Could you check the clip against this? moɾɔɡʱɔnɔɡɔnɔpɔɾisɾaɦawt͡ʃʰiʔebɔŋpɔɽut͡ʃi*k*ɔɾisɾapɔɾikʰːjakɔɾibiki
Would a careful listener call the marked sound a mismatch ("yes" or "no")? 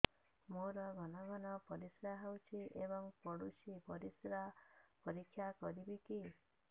yes